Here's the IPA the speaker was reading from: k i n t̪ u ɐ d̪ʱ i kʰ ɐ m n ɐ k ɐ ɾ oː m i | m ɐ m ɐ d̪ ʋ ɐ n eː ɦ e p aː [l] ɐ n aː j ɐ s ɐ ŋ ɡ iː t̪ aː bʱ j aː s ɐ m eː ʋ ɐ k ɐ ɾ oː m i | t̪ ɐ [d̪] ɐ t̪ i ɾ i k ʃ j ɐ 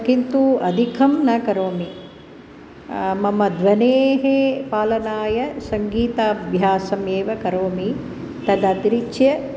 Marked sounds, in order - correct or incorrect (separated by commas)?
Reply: correct, correct